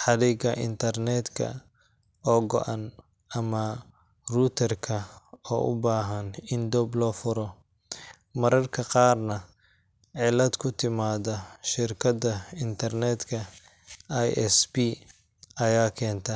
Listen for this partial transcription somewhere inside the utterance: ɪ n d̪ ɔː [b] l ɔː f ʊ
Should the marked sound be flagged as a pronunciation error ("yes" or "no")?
no